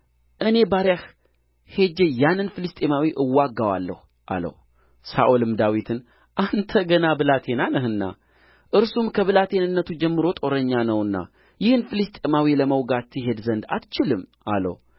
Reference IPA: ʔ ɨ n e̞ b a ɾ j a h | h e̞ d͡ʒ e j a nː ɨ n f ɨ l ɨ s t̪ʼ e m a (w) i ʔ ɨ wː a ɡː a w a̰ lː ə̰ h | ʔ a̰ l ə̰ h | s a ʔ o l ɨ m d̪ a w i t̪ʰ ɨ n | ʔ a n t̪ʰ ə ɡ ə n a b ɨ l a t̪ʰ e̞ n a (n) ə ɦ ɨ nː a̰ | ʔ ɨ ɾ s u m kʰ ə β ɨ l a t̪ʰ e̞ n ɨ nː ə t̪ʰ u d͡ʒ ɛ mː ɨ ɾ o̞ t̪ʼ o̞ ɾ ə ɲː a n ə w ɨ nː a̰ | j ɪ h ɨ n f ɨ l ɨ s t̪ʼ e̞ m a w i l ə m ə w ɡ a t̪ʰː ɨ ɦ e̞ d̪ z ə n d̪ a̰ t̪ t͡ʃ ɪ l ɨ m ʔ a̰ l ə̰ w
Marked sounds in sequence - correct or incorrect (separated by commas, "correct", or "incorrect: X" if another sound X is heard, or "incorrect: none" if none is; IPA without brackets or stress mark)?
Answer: correct, correct